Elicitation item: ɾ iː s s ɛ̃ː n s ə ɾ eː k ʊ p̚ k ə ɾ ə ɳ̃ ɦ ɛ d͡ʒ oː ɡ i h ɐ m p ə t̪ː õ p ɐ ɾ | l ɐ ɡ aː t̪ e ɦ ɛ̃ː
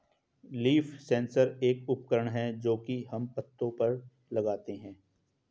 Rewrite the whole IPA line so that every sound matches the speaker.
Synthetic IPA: l iː f s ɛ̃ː n s ə ɾ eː k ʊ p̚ k ə ɾ ə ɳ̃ ɦ ɛ d͡ʒ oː k i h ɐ m p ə t̪ː õ p ɐ ɾ | l ɐ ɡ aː t̪ e ɦ ɛ̃ː